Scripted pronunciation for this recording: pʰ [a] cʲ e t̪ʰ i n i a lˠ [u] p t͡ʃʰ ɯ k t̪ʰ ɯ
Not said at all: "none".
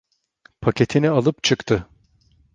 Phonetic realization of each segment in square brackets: a, ɯ

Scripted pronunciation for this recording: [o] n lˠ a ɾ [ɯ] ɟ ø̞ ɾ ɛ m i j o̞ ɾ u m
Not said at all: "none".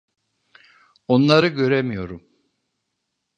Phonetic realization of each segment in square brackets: o, ɯ

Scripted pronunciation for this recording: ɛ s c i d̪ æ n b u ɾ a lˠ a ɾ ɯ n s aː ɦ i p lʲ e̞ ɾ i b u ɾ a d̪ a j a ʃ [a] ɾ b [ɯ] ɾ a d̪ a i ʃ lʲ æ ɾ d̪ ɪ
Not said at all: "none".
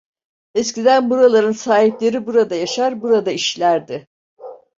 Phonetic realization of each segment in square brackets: a, u

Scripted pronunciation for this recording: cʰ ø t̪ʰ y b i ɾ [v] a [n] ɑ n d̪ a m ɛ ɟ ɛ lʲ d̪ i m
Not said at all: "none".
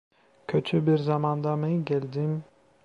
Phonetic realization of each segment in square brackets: z, m

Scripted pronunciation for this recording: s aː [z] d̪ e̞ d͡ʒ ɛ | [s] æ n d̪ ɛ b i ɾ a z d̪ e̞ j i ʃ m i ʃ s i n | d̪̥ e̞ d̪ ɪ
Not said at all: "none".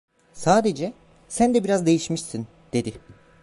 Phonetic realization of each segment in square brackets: none, s

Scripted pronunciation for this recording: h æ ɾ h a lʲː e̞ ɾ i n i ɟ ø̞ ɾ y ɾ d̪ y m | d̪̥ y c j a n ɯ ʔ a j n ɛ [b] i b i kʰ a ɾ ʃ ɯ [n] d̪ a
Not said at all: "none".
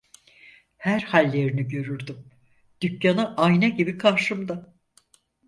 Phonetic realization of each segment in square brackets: ɟ, m

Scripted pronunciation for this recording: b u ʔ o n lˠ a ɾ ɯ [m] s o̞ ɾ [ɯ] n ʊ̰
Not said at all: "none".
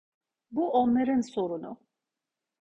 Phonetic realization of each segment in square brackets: n, u

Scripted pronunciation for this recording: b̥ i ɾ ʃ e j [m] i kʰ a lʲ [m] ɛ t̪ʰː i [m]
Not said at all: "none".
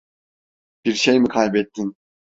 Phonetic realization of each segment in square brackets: m, b, n

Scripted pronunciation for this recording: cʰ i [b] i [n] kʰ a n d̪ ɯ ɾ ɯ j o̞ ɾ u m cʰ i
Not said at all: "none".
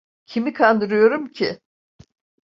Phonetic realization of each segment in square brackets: m, none

